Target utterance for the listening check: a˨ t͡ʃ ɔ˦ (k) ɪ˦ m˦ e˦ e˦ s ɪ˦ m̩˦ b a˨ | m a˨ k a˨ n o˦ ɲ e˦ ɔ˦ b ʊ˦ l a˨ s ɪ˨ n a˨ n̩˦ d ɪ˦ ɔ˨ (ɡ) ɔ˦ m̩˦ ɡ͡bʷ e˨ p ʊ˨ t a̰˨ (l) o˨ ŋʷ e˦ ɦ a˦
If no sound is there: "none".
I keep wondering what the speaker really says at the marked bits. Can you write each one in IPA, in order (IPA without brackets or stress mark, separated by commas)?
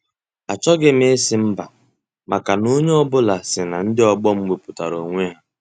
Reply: ɡ, ɡ͡b, ɾ